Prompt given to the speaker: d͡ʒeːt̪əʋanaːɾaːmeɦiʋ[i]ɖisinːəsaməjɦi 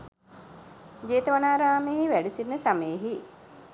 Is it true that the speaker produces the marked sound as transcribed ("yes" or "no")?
no